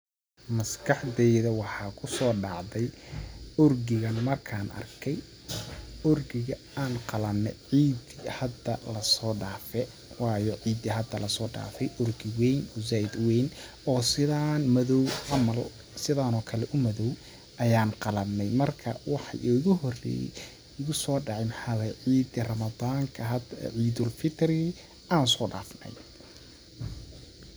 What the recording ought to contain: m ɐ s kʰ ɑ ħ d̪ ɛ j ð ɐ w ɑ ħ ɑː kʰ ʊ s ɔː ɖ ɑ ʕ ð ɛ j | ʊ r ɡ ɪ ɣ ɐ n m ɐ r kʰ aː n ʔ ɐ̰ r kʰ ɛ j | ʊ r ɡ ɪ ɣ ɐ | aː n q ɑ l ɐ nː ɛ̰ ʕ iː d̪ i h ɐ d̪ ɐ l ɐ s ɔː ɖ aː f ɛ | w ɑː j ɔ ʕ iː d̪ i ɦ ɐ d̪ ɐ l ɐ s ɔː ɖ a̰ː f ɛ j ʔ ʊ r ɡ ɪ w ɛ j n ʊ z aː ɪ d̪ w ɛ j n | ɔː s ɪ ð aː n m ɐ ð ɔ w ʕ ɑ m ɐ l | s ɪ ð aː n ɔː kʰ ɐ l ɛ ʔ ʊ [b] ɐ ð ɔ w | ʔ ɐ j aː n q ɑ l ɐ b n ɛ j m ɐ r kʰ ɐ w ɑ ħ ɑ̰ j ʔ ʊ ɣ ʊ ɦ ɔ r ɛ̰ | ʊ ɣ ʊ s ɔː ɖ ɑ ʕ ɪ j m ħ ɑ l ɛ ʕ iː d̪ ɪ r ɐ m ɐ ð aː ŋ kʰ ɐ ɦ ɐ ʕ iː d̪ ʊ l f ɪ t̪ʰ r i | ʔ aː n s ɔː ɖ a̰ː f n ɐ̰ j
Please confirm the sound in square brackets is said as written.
no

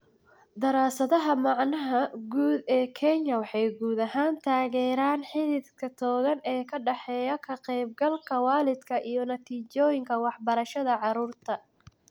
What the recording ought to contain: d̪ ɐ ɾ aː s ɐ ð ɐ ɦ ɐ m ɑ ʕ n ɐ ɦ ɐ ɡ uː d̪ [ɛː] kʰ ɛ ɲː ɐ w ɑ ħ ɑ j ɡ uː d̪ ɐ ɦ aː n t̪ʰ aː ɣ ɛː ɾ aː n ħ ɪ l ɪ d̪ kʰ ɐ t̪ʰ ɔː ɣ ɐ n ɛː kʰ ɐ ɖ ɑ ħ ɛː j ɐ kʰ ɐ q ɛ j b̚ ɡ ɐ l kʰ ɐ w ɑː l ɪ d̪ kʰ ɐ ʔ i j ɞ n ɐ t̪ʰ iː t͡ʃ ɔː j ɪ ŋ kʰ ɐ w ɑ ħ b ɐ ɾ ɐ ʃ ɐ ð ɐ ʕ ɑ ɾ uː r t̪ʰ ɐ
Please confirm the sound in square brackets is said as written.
yes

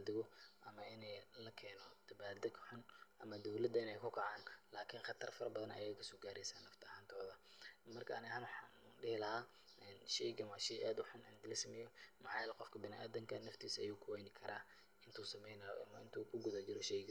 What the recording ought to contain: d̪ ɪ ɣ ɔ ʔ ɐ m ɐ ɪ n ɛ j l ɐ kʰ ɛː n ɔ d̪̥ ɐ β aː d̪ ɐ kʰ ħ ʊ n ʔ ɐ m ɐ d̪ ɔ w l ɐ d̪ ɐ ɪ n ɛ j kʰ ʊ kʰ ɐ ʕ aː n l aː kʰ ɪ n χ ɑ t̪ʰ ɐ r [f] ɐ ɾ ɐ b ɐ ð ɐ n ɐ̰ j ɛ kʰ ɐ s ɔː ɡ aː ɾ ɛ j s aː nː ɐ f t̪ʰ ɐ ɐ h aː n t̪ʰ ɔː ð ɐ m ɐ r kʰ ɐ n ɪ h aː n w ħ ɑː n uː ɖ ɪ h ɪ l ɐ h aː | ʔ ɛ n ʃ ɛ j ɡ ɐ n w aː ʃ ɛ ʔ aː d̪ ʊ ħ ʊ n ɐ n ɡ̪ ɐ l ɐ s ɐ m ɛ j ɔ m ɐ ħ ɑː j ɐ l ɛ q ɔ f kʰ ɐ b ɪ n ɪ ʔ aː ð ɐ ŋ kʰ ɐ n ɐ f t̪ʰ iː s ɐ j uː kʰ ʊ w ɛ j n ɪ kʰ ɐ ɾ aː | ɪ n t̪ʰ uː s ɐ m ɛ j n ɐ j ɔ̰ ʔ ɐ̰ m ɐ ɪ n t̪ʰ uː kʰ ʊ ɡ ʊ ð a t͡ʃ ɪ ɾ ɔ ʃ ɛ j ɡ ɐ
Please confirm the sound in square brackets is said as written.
yes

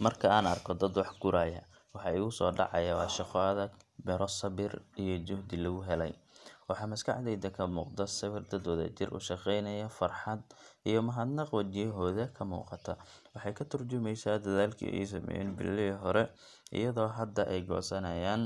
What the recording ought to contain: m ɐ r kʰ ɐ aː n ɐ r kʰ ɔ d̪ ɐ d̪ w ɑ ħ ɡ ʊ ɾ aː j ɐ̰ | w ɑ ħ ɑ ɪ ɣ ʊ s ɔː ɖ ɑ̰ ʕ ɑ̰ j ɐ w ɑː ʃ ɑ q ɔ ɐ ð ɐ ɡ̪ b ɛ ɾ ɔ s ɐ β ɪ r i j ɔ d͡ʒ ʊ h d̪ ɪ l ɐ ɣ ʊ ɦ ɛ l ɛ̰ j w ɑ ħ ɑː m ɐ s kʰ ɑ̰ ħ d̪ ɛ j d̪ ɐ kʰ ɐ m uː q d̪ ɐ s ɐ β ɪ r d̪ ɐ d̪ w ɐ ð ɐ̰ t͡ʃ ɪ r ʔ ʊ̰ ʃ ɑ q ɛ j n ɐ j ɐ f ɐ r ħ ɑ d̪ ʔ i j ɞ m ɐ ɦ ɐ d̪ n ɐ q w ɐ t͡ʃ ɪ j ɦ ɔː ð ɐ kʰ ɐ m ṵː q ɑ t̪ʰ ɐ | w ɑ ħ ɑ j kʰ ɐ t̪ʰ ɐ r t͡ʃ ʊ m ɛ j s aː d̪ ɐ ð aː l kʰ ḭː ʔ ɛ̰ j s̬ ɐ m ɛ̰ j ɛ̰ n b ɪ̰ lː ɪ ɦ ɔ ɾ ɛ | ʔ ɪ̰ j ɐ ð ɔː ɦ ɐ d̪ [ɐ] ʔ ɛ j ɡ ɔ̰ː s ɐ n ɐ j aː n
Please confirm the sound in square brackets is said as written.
yes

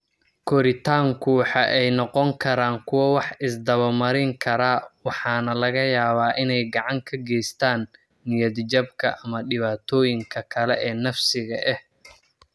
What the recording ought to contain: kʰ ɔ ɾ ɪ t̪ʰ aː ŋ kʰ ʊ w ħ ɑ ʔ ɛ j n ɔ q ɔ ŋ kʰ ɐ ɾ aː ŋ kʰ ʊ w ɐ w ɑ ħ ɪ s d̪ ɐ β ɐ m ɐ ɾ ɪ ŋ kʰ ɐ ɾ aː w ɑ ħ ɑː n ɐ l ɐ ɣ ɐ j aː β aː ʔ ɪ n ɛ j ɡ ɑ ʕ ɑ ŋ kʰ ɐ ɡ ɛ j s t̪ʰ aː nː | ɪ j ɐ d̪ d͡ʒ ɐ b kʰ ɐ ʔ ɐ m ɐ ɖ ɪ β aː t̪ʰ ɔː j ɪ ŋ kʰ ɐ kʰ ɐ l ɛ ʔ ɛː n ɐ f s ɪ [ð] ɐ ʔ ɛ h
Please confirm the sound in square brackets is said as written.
no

